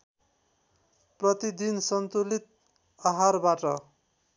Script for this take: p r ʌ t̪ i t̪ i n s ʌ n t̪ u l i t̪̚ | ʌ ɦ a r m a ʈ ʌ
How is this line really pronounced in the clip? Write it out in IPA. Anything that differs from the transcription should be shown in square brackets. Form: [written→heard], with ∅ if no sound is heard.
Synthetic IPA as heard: p r ʌ t̪ i [t̪→d̪] i n s ʌ n t̪ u l i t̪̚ | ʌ ɦ a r [m→b] a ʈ ʌ